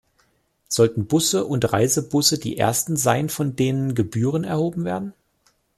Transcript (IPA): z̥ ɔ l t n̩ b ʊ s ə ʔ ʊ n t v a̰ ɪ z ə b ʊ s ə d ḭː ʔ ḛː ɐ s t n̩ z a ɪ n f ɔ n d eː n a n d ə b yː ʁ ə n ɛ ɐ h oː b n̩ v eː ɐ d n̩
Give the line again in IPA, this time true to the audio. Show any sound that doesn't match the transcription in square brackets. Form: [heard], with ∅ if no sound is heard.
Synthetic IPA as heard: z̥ ɔ l t n̩ b ʊ s ə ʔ ʊ n t [ʁ] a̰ ɪ z ə b ʊ s ə d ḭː ʔ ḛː ɐ s t n̩ z a ɪ n f ɔ n d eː n [ə] n [ɡ] ə b yː ʁ ə n ɛ ɐ h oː b [m̩] v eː ɐ d n̩